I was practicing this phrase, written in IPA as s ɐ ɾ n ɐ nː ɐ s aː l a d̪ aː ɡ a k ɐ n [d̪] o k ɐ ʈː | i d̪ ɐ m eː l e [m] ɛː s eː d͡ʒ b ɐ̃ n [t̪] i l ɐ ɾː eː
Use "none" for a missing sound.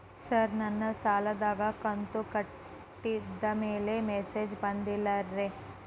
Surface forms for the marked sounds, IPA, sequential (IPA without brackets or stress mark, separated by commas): t̪, m, d̪